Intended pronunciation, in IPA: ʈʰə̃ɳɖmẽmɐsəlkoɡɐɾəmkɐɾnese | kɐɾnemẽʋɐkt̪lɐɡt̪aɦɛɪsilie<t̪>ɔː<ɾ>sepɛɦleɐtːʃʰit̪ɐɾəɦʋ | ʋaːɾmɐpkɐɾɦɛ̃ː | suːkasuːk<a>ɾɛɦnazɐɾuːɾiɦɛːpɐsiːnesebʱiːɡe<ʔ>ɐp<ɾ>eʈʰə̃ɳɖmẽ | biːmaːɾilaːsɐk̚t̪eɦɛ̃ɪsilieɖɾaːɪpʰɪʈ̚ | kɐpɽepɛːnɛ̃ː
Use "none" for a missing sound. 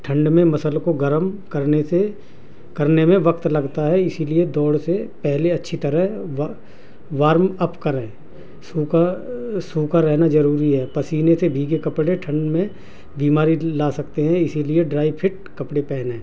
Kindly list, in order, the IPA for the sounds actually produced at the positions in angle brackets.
d̪, ɽ, a, k, ɽ

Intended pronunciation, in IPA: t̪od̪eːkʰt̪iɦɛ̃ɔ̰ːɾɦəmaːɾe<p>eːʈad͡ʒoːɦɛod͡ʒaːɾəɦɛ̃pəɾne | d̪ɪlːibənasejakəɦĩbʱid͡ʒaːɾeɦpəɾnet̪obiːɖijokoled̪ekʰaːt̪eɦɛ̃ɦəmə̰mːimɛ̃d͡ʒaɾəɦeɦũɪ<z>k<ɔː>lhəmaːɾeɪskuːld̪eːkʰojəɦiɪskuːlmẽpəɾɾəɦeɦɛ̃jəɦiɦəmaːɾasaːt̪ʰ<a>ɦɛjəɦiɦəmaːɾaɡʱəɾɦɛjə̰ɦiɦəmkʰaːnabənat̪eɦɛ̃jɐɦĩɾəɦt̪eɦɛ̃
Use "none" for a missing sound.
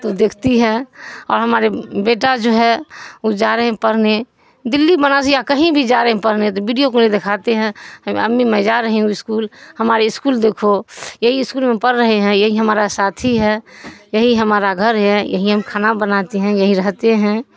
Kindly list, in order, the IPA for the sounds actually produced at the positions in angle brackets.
b, s, uː, i

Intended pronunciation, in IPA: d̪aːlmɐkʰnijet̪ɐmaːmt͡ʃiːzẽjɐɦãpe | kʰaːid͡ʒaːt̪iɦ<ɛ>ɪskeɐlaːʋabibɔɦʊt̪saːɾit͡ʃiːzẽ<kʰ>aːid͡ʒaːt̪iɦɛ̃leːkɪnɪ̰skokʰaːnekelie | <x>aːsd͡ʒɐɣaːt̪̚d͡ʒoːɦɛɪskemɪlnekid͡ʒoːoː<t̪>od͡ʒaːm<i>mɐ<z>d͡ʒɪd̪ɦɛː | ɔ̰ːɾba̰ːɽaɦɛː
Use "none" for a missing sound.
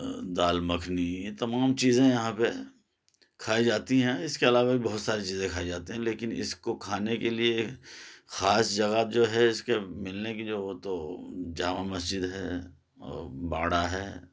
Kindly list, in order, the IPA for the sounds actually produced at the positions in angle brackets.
ɛ̃, kʰ, x, t̪, a, s

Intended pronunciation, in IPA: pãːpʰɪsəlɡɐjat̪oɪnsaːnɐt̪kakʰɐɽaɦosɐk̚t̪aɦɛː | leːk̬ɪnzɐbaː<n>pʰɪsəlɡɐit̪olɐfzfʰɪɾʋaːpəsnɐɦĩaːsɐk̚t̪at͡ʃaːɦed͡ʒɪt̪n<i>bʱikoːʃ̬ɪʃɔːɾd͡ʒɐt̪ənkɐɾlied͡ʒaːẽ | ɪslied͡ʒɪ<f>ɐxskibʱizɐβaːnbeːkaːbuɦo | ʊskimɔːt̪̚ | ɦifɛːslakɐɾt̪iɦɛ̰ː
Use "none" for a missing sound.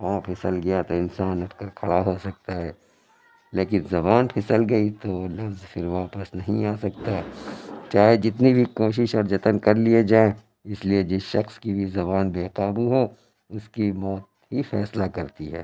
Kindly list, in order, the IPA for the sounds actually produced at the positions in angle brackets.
n, i, ʃ

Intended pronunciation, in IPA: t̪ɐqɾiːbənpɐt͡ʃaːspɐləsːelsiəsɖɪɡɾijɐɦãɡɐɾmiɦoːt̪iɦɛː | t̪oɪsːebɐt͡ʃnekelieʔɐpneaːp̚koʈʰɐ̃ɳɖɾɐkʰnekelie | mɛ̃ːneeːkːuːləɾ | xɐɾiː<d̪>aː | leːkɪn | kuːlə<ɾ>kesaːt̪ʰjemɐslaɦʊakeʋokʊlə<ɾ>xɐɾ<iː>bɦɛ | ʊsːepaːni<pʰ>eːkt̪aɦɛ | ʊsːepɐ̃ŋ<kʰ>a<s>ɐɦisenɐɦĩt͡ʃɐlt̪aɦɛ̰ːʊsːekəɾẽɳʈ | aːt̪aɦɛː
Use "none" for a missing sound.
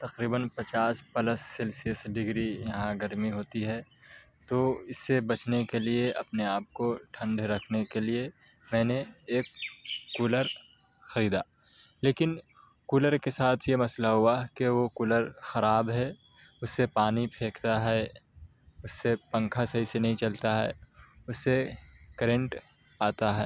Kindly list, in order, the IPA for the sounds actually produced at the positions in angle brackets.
d̪, ɾ, ɾ, aː, pʰ, kʰ, s

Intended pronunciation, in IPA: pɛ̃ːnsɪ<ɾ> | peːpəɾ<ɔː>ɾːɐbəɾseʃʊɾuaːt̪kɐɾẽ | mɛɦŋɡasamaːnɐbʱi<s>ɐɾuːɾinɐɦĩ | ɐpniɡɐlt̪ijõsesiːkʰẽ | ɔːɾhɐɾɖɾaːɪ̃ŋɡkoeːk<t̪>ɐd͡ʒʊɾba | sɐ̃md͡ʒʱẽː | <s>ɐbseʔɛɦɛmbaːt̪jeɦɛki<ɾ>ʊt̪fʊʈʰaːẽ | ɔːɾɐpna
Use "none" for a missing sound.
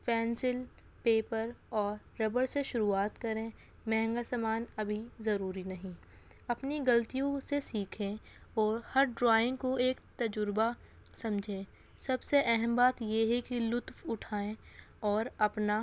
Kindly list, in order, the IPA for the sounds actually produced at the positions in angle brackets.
l, ɔː, z, t̪, s, l

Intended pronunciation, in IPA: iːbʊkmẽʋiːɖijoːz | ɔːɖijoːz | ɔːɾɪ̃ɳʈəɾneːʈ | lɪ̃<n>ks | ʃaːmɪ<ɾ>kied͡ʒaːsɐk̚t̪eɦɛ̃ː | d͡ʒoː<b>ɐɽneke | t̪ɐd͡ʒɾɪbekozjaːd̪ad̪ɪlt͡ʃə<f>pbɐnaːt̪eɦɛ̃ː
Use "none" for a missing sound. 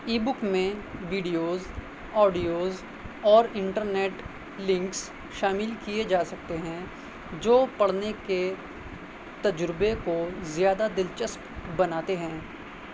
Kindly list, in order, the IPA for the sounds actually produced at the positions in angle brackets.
ŋ, l, p, s

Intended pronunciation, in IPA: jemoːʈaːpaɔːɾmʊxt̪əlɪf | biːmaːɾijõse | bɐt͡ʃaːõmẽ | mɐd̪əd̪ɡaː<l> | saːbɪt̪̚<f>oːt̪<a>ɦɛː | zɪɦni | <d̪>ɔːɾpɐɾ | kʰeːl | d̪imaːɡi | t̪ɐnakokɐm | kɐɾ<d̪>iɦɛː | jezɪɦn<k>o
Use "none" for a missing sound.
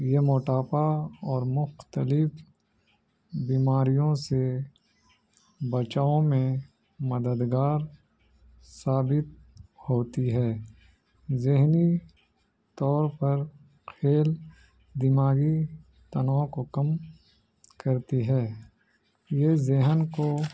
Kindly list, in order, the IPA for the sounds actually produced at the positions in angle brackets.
ɾ, h, i, t̪, t̪, k

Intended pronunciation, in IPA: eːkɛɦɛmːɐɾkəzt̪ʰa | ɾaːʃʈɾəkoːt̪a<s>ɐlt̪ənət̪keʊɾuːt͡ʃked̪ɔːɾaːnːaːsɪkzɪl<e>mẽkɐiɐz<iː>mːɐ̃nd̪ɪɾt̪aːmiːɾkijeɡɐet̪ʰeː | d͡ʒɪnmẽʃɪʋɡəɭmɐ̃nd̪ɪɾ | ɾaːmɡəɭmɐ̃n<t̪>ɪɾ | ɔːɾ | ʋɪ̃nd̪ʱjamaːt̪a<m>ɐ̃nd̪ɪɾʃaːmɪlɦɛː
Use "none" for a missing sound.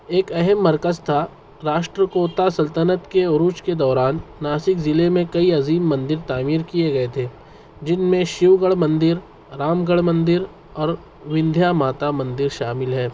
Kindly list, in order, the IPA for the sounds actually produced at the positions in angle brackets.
s, e, iː, d̪, m

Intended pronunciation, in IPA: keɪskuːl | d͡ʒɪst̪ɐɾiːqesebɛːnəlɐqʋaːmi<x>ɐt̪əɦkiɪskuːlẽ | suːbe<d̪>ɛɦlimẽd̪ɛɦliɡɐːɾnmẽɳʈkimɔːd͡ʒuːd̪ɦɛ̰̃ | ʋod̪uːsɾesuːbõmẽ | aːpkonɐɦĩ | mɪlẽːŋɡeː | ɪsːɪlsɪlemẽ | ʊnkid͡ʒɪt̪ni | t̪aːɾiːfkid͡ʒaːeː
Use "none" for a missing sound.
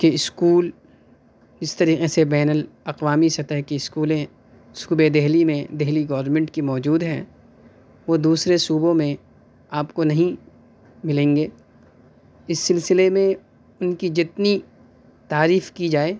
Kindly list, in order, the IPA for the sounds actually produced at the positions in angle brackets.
s, d̪

